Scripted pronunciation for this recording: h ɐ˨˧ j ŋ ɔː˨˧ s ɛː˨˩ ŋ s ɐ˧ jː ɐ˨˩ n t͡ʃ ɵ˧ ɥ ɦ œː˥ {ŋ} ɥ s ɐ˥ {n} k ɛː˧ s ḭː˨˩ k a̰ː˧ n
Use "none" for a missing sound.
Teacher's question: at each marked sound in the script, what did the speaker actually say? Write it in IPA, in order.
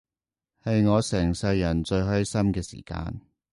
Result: none, m

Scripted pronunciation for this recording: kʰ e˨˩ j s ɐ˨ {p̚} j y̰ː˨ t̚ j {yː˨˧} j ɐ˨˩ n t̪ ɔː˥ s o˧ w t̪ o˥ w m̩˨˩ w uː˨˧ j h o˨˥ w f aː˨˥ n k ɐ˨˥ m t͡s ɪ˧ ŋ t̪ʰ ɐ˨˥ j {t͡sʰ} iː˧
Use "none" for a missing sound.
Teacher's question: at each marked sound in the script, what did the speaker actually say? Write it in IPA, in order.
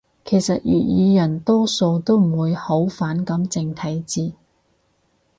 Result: t̚, iː˨˧, t͡s

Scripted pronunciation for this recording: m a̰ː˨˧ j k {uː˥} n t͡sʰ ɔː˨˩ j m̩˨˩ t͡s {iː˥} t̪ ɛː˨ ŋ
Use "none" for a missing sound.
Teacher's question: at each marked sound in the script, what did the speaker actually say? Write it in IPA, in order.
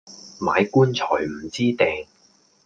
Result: uː˥, iː˥

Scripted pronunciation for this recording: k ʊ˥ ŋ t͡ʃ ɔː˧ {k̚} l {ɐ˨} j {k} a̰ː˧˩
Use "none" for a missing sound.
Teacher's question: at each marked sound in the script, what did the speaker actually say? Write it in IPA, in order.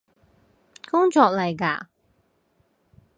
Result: k̚, ɐ˨, k

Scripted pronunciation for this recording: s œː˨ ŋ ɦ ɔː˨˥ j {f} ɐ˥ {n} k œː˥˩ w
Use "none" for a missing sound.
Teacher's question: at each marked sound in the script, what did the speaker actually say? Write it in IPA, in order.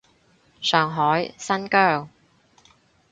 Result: s, n

